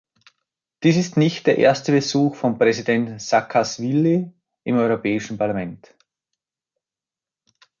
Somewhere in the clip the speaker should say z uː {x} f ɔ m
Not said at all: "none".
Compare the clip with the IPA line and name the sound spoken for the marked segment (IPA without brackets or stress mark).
x